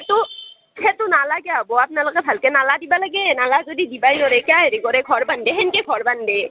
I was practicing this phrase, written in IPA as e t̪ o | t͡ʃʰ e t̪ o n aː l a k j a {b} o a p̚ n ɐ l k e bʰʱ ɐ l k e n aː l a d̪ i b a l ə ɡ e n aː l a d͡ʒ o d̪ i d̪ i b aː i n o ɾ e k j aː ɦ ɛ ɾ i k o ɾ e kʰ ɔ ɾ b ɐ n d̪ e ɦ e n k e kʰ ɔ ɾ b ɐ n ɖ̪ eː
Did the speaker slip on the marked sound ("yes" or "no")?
no